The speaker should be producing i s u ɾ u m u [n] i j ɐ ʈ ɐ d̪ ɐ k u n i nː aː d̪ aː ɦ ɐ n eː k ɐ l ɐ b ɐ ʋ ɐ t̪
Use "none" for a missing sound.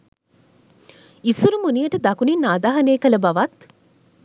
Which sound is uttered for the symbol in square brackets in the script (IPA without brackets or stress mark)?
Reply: n